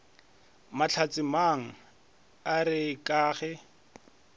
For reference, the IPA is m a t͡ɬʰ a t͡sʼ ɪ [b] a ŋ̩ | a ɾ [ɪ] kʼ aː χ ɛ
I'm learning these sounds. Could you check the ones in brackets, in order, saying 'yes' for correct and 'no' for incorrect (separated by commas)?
no, yes